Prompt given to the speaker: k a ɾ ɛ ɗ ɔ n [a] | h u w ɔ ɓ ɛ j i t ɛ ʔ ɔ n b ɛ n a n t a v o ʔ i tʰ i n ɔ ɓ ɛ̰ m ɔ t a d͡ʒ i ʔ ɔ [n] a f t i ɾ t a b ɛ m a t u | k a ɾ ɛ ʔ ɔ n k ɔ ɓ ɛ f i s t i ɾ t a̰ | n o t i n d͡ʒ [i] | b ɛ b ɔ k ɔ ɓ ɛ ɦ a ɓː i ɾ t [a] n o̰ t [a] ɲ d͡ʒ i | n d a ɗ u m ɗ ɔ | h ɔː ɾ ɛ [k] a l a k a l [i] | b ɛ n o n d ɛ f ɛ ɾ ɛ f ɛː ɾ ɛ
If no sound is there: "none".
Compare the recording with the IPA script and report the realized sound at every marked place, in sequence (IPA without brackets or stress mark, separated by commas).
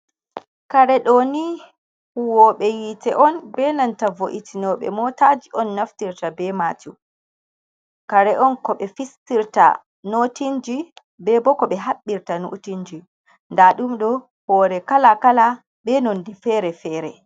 i, nː, i, a, i, k, a